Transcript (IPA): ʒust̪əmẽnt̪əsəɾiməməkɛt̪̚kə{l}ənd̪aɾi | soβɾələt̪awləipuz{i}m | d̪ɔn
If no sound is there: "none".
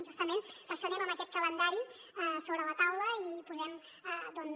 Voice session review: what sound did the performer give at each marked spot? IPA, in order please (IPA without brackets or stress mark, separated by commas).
l, ɛ